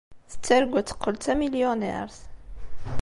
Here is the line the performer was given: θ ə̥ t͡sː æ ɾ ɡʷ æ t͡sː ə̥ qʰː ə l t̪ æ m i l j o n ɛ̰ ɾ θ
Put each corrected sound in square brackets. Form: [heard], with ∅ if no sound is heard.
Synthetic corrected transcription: θ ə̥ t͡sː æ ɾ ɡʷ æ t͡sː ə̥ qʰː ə l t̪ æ m i l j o n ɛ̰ ɾ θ